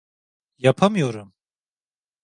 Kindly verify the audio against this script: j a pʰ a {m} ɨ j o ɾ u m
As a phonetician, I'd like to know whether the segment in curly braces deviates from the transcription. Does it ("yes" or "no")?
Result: no